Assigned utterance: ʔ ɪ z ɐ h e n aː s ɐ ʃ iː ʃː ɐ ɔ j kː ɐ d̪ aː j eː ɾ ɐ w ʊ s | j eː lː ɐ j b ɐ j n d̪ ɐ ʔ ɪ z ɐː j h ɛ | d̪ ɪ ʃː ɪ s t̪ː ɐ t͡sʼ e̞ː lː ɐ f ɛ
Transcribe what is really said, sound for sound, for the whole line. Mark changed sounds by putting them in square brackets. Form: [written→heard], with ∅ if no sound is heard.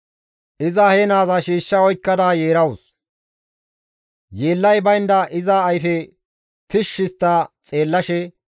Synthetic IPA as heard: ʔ ɪ z ɐ h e n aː [s→z] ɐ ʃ iː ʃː ɐ ɔ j kː ɐ d̪ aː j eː ɾ ɐ w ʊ s | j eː lː ɐ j b ɐ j n d̪ ɐ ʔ ɪ z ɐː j [h→f] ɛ | [d̪→t̪] ɪ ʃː ɪ s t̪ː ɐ t͡sʼ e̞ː lː ɐ [f→ʃ] ɛ